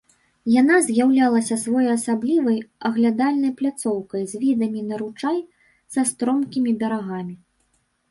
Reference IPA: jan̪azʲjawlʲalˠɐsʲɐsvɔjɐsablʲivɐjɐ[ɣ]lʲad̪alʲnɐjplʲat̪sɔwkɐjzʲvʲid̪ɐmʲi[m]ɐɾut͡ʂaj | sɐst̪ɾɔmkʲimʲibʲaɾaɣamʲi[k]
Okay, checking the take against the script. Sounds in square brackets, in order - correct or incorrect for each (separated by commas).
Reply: correct, incorrect, incorrect